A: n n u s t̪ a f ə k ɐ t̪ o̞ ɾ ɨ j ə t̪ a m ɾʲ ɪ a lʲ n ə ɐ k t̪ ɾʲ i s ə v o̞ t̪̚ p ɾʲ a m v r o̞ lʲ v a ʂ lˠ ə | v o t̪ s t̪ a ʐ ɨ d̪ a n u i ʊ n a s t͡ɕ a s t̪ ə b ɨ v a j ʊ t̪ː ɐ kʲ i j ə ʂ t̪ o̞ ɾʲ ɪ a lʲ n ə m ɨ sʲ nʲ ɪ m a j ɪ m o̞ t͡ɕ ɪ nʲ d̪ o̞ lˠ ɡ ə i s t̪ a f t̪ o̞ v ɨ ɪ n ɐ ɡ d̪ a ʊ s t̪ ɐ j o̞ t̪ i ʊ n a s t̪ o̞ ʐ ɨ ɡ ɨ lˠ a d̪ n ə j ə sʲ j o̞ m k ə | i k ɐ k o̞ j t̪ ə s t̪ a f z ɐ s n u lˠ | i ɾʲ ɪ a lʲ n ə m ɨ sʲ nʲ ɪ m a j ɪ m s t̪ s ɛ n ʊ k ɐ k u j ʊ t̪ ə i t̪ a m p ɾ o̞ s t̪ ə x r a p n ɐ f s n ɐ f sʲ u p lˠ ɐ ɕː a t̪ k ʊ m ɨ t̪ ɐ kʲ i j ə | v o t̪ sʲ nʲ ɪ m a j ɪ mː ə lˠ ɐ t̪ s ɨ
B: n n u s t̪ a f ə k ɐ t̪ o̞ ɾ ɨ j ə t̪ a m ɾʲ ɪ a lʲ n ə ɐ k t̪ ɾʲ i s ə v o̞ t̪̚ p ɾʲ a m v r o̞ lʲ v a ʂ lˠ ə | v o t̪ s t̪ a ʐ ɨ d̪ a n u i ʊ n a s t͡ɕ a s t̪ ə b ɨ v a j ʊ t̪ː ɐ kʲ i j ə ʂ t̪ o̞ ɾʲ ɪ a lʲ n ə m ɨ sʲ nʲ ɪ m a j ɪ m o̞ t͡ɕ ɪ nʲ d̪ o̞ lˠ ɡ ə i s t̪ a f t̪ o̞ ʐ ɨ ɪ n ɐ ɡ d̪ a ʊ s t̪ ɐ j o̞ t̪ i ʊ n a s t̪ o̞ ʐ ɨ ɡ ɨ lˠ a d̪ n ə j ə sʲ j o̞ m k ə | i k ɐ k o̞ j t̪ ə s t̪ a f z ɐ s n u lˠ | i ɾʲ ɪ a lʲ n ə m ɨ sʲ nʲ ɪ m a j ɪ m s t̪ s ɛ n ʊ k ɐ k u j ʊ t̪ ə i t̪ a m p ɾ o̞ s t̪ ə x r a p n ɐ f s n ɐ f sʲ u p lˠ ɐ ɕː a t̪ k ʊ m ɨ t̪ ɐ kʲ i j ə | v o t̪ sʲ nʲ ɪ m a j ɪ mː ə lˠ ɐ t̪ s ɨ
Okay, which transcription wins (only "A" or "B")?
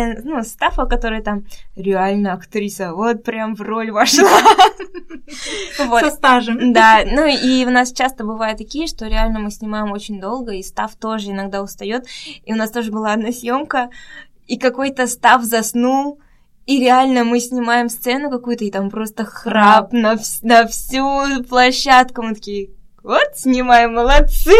B